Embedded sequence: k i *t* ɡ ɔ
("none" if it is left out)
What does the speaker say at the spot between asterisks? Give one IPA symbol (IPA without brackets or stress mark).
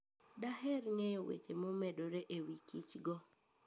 t͡ʃ